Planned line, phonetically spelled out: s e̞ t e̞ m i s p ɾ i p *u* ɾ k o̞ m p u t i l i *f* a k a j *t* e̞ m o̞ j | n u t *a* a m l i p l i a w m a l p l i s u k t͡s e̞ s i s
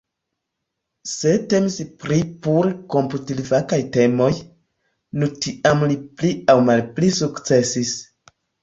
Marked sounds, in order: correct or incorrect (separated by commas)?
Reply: correct, incorrect, correct, incorrect